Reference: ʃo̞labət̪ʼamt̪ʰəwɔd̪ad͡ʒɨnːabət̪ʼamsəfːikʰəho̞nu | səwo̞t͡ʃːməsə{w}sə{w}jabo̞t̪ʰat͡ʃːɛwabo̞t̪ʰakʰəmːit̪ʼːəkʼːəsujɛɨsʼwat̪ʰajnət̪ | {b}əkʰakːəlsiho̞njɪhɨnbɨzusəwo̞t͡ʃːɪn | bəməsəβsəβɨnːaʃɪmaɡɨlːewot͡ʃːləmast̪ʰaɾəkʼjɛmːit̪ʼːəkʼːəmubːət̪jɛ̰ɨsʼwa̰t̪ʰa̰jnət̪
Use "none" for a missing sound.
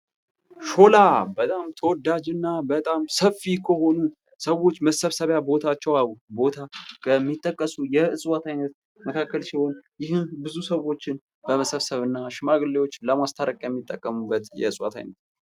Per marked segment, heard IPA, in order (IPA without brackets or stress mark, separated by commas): β, β, m